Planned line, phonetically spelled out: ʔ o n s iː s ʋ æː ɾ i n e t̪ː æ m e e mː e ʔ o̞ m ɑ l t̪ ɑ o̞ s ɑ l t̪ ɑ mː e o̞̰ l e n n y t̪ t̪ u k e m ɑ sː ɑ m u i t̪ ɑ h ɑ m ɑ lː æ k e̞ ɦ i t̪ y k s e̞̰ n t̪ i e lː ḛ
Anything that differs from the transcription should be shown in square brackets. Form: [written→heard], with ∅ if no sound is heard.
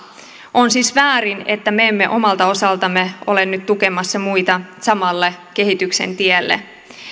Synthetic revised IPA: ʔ o n s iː s ʋ æː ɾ i n e t̪ː æ m e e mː e ʔ o̞ m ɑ l t̪ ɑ o̞ s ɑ l t̪ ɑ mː e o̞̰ l e n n y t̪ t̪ u k e m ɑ sː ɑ m u i t̪ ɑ [h→s] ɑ m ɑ lː [æ→e] k e̞ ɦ i t̪ y k s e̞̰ n t̪ i e lː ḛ

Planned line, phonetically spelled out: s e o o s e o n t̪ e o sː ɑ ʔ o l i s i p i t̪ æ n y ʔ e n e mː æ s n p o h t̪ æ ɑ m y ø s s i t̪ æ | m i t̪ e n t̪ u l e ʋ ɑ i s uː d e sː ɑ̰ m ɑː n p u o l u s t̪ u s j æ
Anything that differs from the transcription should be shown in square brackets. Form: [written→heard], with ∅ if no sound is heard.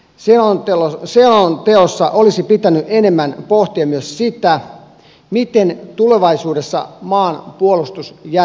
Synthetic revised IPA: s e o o s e o n t̪ e o sː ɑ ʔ o l i s i p i t̪ æ n y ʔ e n e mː æ [s→∅] n p o h t̪ [æ→i] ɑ m y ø s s i t̪ æ | m i t̪ e n t̪ u l e ʋ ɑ i s uː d e sː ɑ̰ m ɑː n p u o l u s t̪ u s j æ

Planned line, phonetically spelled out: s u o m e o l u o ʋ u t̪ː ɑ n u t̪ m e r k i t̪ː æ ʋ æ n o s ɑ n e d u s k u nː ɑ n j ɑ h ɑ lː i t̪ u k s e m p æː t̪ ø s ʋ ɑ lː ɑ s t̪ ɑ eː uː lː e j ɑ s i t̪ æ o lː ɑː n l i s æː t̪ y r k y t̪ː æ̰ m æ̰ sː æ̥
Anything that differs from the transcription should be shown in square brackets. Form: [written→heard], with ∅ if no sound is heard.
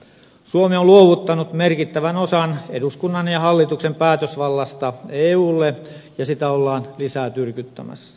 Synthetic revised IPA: s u o m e o l u o ʋ u t̪ː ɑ n u t̪ m e r k i t̪ː æ ʋ æ n o s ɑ n e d u s k u nː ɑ n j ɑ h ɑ lː i t̪ u k s e m p æː t̪ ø s ʋ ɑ lː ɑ s t̪ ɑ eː uː lː e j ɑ s i t̪ æ o lː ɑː n l i s æː t̪ y r k y t̪ː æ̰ m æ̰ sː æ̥

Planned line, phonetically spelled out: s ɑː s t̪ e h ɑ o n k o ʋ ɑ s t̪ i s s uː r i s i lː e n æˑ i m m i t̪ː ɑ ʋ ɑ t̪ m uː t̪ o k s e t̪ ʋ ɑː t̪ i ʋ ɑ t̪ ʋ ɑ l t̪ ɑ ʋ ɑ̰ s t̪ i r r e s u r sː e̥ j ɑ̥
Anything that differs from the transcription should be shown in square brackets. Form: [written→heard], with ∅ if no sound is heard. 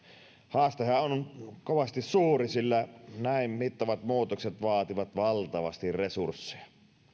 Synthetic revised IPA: [s→h] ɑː s t̪ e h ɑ o n k o ʋ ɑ s t̪ i s s uː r i s i lː [e→æ] n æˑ i m m i t̪ː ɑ ʋ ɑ t̪ m uː t̪ o k s e t̪ ʋ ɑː t̪ i ʋ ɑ t̪ ʋ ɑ l t̪ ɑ ʋ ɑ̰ s t̪ i r r e s u r sː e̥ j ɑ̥

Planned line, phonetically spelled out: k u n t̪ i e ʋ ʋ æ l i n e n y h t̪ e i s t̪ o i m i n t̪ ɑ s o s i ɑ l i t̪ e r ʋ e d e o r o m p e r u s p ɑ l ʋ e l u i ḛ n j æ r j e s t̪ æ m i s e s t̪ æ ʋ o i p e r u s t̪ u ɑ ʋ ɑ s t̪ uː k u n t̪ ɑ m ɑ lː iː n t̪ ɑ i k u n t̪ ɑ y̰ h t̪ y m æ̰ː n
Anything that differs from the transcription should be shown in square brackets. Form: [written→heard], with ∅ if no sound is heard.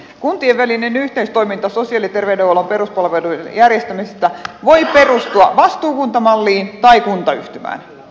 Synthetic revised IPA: k u n t̪ i e ʋ ʋ æ l i n e n y h t̪ e i s t̪ o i m i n t̪ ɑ s o s i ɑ l i t̪ e r ʋ e d e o [r→l] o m p e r u s p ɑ l ʋ e l u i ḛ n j æ r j e s t̪ æ m i s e s t̪ æ ʋ o i p e r u s t̪ u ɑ ʋ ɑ s t̪ uː k u n t̪ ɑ m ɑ lː iː n t̪ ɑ i k u n t̪ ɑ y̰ h t̪ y m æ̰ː n

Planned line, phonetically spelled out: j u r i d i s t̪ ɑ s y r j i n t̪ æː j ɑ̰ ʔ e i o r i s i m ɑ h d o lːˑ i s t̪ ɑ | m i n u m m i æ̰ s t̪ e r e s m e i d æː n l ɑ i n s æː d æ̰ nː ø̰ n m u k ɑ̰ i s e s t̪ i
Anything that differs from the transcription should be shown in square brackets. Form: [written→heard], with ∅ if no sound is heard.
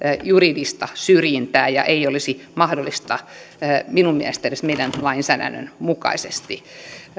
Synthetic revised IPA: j u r i d i s t̪ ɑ s y r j i n t̪ æː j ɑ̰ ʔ e i o [r→l] i s i m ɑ h d o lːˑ i s t̪ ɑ | m i n u m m i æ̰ s t̪ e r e s m e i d [æː→æ] n l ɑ i n s æː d æ̰ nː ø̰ n m u k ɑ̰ i s e s t̪ i

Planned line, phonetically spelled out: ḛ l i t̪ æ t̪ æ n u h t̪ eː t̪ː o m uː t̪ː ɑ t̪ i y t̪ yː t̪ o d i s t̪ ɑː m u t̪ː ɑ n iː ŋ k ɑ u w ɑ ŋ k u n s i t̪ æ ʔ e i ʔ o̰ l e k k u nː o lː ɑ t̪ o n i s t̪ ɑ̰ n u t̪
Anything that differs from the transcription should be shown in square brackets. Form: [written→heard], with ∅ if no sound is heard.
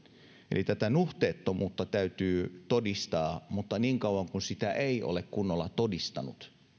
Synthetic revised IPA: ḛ l i t̪ æ t̪ æ n u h t̪ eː t̪ː o m uː t̪ː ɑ t̪ [i→æ] y t̪ yː t̪ o d i s t̪ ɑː m u t̪ː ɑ n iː ŋ k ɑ u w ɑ ŋ k u n s i t̪ æ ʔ e i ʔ o̰ l e k k u nː o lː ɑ t̪ o [n→d] i s t̪ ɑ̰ n u t̪

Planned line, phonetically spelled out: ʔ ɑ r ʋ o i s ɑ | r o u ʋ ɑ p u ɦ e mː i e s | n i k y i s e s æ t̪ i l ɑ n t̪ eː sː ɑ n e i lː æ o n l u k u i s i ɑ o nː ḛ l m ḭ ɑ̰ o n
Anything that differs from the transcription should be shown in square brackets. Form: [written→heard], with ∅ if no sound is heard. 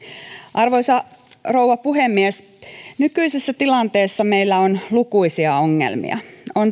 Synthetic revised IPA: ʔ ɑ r ʋ o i s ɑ | r o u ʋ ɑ p u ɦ e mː i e s | n [i→y] k y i s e [s→sː] æ t̪ i l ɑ n t̪ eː sː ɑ [n→m] e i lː æ o n l u k u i s i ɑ o [nː→ŋː] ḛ l m ḭ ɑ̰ o n

